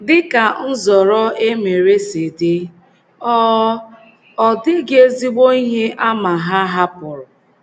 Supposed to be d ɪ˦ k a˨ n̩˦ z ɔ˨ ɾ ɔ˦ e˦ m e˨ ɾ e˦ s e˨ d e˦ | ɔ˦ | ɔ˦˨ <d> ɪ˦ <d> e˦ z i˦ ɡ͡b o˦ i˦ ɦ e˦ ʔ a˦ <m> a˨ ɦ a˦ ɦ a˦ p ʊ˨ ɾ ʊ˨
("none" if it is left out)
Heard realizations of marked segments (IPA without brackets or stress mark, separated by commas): d, ɡ, m